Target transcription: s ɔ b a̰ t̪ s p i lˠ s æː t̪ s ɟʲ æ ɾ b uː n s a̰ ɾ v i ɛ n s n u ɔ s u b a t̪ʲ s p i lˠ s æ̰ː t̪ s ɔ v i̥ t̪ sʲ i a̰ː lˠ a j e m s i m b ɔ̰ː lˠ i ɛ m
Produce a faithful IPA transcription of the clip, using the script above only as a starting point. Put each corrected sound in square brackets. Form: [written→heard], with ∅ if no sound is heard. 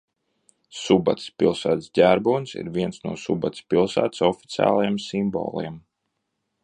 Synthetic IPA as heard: s [ɔ→u] b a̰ t̪ s p i lˠ s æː t̪ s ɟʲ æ ɾ b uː n s [a̰→ḭ] ɾ v i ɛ n s n u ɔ s u b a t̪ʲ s p i lˠ s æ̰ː t̪ s ɔ [v→f] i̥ t̪ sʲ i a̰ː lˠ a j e m s i m b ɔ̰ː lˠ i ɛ m